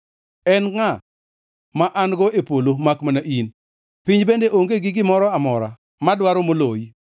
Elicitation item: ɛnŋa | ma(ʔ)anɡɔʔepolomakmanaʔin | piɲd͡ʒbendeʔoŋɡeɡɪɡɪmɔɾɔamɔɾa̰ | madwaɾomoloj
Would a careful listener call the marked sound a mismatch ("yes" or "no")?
no